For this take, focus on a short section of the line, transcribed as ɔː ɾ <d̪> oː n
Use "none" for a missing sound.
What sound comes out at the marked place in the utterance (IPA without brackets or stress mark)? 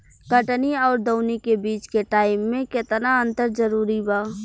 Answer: d̪